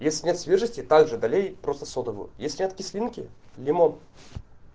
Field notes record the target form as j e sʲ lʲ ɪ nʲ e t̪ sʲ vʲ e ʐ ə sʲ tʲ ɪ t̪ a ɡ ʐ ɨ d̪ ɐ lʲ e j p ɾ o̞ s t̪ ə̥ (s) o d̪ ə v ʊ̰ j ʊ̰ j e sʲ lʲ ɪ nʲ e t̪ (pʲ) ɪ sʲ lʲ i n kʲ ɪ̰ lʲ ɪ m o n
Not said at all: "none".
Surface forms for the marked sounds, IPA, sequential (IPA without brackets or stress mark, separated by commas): s, kʲ